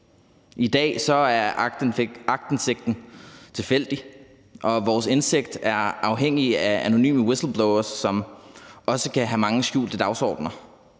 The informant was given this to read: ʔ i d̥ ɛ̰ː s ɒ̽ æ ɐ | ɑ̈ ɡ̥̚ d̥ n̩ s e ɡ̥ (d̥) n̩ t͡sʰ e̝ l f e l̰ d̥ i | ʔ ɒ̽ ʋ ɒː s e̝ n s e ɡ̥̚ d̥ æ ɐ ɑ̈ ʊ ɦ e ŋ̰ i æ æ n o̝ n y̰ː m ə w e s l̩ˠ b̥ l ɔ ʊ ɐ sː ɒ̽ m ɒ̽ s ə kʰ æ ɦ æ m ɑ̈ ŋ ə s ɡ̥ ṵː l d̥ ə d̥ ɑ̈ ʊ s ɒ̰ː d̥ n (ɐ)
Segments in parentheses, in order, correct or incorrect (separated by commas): correct, correct